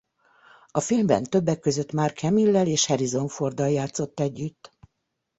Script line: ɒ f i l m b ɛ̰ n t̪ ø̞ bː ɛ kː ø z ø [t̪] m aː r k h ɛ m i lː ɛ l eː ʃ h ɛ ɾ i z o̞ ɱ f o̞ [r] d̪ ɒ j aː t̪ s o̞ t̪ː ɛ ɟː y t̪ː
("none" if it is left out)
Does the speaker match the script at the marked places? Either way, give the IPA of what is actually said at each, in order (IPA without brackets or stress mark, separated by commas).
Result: t̪, r